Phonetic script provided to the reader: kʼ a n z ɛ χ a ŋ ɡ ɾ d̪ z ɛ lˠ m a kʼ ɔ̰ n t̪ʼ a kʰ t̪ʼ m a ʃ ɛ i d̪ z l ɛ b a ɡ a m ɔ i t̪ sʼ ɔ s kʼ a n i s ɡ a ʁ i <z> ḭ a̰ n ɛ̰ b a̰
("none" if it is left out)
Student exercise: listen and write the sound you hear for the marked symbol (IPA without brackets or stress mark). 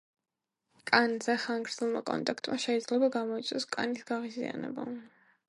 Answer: z